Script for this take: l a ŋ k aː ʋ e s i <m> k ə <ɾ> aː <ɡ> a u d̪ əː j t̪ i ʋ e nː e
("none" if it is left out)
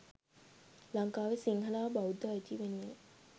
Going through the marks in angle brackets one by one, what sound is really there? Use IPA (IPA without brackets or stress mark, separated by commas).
ŋ, l, b